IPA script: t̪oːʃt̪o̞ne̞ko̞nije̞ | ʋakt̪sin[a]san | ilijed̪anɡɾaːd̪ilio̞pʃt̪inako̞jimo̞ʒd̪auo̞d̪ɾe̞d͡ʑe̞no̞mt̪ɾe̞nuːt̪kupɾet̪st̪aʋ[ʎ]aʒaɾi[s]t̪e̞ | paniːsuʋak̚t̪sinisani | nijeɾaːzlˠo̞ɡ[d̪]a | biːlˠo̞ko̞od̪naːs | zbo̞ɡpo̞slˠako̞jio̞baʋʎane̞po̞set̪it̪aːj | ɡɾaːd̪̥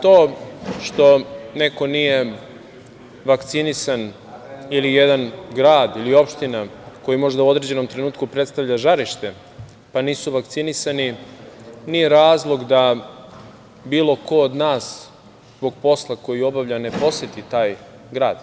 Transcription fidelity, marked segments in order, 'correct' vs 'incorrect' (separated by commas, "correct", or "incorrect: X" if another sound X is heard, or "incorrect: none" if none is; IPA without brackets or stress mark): incorrect: i, correct, incorrect: ʃ, correct